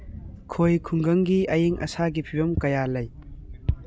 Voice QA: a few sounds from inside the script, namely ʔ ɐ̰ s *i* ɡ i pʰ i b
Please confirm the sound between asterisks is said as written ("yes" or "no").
no